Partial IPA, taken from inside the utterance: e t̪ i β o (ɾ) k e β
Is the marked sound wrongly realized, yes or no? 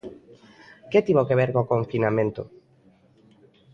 yes